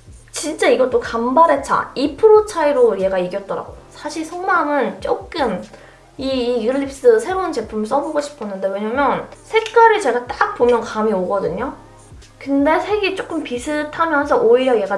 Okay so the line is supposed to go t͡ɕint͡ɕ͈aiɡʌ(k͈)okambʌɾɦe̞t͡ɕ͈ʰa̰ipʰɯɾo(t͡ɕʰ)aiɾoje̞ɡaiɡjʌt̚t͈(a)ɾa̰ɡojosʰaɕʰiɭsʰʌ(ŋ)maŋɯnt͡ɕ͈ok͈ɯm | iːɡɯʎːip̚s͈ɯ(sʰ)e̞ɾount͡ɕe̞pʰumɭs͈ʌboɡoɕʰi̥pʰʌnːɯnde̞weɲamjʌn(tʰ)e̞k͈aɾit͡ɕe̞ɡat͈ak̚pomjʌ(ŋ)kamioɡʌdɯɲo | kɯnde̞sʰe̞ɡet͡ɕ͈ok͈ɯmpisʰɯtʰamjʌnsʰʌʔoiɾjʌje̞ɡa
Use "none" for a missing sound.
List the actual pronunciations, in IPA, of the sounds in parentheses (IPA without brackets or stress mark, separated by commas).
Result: t͈, t͡ɕʰ, ʌ, ŋ, sʰ, sʰ, n